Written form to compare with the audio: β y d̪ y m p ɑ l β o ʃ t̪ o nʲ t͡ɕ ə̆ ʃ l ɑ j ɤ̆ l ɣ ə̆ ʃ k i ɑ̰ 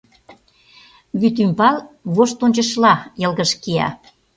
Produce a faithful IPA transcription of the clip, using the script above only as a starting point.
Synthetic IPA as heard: β y t̪ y m p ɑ l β o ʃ t̪ o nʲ t͡ɕ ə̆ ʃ l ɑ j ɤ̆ l ɣ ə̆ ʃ k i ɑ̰